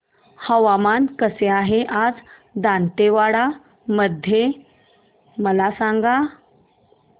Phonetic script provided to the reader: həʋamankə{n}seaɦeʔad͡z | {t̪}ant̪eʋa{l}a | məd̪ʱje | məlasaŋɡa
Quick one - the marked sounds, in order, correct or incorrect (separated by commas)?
incorrect, incorrect, incorrect